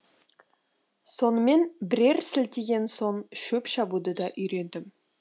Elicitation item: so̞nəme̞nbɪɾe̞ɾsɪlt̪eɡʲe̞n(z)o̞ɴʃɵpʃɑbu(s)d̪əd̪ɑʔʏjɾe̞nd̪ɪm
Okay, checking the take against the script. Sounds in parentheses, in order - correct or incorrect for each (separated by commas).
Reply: incorrect, incorrect